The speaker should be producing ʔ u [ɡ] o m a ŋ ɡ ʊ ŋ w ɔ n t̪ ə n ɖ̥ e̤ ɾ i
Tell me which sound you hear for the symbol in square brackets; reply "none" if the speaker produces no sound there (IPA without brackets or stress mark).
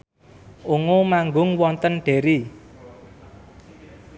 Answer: ŋ